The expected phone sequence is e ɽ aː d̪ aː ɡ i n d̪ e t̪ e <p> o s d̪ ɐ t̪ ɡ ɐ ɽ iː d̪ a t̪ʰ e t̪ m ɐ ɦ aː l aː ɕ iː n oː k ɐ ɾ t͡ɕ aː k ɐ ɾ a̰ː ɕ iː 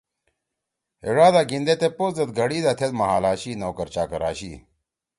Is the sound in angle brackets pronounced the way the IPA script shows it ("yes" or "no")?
yes